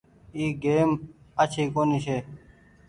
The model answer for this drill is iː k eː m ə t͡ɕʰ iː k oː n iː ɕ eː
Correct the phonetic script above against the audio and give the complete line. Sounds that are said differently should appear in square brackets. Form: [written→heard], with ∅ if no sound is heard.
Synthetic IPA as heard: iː [k→ɡ] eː m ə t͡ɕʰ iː k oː n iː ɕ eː